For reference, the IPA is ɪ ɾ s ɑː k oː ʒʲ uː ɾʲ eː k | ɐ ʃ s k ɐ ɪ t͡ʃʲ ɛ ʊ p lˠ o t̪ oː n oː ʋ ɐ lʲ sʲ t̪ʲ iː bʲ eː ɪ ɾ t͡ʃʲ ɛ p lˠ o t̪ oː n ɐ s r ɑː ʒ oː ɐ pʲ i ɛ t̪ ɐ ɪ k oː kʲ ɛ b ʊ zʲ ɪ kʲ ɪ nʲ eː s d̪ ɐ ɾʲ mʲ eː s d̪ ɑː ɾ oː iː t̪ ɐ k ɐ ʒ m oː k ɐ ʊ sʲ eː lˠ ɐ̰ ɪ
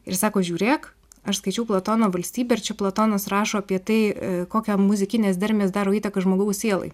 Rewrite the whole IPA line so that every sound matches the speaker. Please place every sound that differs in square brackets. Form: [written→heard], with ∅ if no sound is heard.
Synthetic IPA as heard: ɪ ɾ s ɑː k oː ʒʲ uː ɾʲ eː k | ɐ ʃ s k ɐ ɪ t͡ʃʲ ɛ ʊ p lˠ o t̪ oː n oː ʋ ɐ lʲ sʲ t̪ʲ iː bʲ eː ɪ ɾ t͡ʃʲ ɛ p lˠ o t̪ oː n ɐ s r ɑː [ʒ→ʃ] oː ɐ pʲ i ɛ t̪ ɐ ɪ k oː kʲ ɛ [b→m] ʊ zʲ ɪ kʲ ɪ nʲ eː s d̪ ɐ ɾʲ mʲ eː s d̪ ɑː ɾ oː iː t̪ ɐ k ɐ ʒ m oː [k→ɡ] ɐ ʊ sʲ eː lˠ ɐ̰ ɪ